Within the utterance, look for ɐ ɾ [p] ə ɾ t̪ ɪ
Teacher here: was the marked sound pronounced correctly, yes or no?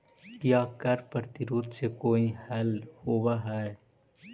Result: yes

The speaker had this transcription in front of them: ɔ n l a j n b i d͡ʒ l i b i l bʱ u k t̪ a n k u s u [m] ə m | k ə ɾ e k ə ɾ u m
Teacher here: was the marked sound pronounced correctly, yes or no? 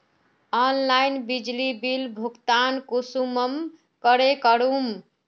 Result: yes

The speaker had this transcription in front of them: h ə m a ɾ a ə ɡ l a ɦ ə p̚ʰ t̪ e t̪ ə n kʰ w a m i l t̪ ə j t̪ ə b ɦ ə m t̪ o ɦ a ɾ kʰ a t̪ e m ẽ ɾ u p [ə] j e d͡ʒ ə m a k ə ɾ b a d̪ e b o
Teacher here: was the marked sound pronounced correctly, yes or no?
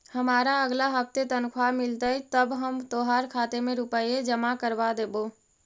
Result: yes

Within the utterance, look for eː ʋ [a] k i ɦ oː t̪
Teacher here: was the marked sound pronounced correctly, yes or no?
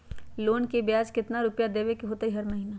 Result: no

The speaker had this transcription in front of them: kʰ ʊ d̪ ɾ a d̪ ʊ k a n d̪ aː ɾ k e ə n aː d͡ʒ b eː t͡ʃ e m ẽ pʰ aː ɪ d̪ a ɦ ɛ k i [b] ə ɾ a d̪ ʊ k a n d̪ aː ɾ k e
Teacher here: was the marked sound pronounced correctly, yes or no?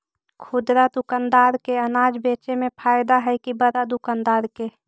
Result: yes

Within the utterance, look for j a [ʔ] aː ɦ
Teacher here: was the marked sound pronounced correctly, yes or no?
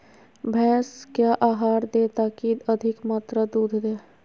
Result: yes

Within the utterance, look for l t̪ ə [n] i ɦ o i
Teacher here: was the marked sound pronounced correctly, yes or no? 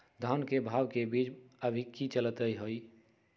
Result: no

